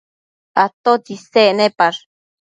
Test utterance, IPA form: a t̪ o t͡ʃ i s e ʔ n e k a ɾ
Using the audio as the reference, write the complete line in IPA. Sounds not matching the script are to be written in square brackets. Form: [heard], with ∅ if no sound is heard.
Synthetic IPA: a t̪ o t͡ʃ i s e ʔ n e [p] a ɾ